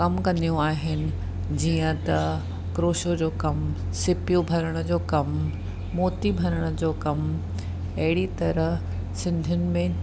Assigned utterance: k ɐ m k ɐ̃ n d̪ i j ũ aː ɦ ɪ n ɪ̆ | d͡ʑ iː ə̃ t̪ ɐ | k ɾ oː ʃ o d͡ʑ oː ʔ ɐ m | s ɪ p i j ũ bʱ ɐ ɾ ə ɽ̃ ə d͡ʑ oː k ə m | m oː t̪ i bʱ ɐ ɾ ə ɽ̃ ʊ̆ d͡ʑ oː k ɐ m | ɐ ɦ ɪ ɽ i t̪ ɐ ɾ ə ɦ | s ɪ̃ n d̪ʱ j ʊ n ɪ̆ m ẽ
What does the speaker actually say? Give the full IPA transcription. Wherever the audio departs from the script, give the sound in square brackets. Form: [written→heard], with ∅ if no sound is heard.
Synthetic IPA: k ɐ m k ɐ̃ n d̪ i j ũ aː ɦ ɪ n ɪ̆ | d͡ʑ iː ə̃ t̪ ɐ | k ɾ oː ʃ o d͡ʑ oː [ʔ→k] ɐ m | s ɪ p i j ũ bʱ ɐ ɾ ə ɽ̃ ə d͡ʑ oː k [ə→ɐ] m | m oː t̪ i bʱ ɐ ɾ ə ɽ̃ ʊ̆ d͡ʑ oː k ɐ m | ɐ ɦ ɪ ɽ i t̪ ɐ ɾ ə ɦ | s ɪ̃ n d̪ʱ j ʊ n ɪ̆ m ẽ